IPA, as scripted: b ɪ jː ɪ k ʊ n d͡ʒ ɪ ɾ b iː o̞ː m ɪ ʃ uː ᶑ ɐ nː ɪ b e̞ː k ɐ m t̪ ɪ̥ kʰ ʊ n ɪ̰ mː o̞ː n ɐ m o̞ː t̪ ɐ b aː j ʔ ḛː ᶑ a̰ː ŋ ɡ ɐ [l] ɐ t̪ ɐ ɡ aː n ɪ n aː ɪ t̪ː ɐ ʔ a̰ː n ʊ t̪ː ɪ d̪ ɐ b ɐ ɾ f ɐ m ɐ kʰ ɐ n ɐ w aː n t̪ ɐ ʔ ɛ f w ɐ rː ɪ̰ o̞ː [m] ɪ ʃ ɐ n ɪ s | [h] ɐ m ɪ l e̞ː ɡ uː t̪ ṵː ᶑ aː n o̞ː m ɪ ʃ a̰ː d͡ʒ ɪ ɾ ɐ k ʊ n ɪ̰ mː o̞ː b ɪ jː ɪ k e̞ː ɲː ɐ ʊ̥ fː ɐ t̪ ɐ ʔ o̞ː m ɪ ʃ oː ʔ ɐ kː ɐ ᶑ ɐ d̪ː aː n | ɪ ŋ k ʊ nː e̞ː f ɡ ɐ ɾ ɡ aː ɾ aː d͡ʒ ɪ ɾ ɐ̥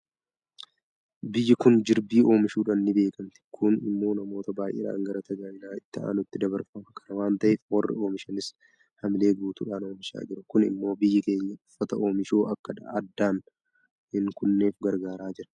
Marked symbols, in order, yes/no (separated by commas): no, yes, yes